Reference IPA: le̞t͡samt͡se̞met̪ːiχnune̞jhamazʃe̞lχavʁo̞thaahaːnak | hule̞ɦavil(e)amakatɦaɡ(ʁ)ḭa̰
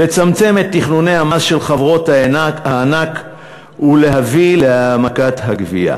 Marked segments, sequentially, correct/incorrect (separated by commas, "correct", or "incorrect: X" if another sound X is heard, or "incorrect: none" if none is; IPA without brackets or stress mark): correct, incorrect: v